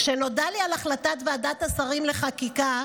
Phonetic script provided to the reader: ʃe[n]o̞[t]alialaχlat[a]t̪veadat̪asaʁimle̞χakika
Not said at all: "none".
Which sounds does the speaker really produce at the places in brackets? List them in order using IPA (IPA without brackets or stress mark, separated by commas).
n, d, a